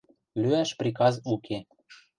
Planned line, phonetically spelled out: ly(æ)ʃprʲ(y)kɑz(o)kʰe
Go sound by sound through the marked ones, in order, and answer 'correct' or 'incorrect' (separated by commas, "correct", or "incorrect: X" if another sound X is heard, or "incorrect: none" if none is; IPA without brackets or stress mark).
correct, incorrect: i, incorrect: u